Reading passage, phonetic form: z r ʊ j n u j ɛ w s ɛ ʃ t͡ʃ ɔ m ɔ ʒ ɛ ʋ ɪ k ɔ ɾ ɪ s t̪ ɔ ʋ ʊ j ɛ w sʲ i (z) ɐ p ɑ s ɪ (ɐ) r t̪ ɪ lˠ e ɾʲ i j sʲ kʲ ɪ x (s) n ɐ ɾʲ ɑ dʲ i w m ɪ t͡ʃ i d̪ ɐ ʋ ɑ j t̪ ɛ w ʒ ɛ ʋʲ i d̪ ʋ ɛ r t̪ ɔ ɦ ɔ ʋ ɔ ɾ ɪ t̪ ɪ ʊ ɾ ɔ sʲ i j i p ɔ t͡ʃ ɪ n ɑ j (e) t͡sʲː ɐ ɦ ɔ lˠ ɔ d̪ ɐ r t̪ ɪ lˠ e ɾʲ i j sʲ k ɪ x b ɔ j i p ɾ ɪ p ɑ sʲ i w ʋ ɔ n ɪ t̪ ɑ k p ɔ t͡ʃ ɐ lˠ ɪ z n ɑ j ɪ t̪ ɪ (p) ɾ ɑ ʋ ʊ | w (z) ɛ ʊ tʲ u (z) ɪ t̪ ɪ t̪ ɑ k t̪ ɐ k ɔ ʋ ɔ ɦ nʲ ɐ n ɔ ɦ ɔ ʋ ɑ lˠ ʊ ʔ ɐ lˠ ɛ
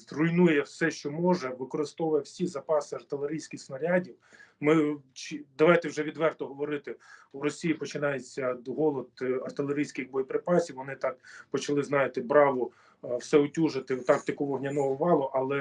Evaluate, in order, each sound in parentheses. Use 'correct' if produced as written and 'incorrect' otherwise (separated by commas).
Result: correct, correct, correct, correct, incorrect, incorrect, incorrect